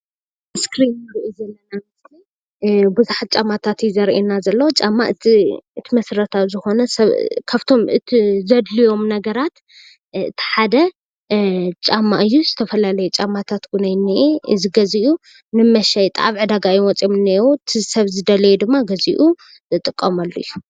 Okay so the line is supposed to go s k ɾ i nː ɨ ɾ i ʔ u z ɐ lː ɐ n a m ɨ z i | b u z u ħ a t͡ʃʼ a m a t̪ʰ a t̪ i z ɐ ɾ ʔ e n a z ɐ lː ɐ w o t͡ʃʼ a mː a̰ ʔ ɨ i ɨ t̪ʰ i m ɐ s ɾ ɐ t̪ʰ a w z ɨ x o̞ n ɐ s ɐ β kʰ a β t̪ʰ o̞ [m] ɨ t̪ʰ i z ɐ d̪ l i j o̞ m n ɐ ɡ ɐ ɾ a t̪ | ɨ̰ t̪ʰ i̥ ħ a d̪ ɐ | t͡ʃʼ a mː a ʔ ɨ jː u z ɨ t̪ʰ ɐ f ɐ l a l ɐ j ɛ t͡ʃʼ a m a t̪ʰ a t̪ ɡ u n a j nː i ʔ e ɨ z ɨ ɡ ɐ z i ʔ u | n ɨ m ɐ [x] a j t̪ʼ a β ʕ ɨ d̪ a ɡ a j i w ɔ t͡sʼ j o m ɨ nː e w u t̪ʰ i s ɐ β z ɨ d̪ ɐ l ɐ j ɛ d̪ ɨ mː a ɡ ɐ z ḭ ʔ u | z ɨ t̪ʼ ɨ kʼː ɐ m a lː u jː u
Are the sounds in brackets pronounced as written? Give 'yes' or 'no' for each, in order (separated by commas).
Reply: yes, no